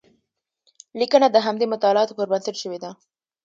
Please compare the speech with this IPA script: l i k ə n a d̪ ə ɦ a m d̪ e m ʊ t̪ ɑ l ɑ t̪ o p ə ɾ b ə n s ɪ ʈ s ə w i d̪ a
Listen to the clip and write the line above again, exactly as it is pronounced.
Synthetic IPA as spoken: l i k ə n a d̪ ə ɦ a m d̪ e m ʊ t̪ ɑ l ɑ t̪ o p ə ɾ b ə n s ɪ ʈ ʃ ə w e d̪ a